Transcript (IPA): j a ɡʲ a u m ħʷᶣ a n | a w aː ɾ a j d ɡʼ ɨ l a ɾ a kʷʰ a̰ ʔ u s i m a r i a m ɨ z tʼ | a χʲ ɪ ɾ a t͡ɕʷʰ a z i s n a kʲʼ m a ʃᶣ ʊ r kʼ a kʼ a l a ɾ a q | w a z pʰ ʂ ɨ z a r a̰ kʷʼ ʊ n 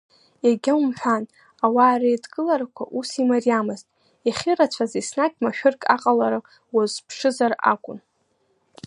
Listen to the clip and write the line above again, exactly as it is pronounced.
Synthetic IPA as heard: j a ɡʲ a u m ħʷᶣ a n | a w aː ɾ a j d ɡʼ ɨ l a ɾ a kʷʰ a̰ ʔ u s i m a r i a m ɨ z tʼ | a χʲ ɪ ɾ a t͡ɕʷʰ a z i s n a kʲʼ m a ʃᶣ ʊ r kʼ a qʼ a l a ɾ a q | w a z pʰ ʂ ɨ z a r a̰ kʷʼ ʊ n